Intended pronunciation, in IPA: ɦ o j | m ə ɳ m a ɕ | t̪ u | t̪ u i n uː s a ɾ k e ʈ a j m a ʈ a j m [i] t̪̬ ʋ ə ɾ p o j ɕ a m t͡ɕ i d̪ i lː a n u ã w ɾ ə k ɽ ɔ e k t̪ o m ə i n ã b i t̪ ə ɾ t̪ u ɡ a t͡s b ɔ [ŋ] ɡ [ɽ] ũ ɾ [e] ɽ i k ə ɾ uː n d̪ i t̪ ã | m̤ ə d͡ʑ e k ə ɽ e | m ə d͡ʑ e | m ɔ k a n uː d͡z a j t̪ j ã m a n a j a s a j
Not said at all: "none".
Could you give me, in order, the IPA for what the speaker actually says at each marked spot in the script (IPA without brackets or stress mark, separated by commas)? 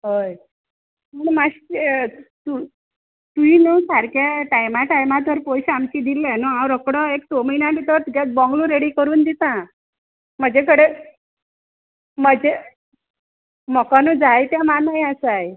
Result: a, ŋ, l, e